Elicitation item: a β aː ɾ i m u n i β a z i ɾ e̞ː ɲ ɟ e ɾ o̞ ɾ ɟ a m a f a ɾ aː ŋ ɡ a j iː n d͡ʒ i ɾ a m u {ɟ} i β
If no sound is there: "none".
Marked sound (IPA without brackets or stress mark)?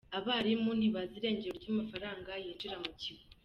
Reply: c